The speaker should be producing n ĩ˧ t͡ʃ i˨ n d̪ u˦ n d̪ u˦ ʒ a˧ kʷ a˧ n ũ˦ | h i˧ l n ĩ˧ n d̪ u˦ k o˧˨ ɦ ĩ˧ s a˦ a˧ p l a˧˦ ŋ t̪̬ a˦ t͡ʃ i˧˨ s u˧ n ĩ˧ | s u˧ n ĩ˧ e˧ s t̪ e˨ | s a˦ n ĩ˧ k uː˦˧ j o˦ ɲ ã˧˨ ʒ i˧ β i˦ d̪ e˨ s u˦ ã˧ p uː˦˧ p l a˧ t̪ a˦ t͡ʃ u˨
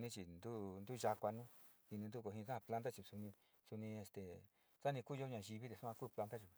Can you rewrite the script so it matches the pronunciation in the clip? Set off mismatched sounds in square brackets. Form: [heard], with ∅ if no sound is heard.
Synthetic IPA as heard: n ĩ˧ t͡ʃ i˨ n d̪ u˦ n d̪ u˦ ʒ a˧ kʷ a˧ n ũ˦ | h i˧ [∅] n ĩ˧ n d̪ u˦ k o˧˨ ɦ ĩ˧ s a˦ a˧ p l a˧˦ [n] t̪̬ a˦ t͡ʃ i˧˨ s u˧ n ĩ˧ | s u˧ n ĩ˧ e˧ s t̪ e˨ | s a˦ n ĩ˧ k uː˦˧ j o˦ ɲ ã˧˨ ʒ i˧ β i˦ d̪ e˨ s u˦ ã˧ [k] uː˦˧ p l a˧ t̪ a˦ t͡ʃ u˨